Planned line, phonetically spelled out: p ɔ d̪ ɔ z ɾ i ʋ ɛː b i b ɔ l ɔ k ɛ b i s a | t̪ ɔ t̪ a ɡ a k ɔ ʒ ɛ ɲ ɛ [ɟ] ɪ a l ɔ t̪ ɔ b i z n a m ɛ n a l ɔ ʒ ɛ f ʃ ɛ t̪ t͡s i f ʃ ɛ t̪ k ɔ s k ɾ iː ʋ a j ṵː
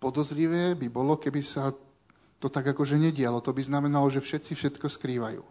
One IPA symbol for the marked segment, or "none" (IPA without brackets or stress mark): ɟ